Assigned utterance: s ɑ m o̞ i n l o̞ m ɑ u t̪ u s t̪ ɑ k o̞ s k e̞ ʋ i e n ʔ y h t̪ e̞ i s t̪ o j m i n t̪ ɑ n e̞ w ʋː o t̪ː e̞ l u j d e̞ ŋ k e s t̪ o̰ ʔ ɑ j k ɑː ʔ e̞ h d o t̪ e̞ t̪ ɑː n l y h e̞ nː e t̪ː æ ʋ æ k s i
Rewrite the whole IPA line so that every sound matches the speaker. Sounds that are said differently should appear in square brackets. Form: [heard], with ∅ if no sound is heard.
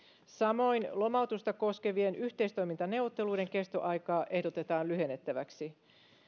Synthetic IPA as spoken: s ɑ m o̞ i n l o̞ m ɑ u t̪ u s t̪ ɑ k o̞ s k e̞ ʋ i e n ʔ y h t̪ e̞ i s t̪ o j m i n t̪ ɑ n e̞ w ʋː o t̪ː e̞ l u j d e̞ ŋ k e s t̪ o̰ ʔ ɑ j k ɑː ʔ e̞ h d o t̪ e̞ t̪ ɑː n l y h e̞ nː e t̪ː æ ʋ æ k s i